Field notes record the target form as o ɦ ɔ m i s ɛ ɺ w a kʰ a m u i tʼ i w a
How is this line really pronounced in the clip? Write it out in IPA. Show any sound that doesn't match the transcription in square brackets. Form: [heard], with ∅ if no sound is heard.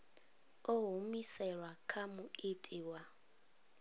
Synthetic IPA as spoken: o ɦ [u] m i s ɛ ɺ w a kʰ a m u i tʼ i w a